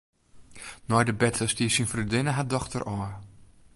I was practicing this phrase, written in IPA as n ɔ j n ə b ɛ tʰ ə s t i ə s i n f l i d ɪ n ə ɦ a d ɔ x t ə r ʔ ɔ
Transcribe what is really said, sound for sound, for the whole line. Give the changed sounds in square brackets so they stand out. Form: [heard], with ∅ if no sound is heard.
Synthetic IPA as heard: n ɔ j [d] ə b ɛ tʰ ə s t i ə s i n f [r] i d ɪ n ə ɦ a d ɔ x t ə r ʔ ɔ

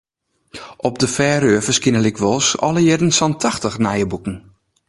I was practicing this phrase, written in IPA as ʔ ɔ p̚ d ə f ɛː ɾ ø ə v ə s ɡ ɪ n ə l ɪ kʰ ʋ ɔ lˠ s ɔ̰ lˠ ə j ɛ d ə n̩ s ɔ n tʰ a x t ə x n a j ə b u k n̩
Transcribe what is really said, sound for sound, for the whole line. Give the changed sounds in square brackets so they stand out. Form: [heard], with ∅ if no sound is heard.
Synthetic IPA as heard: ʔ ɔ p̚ d ə f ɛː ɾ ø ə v ə s [k] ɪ n ə l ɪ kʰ ʋ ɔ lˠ s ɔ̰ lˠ ə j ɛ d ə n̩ s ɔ n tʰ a x t ə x n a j ə b u k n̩

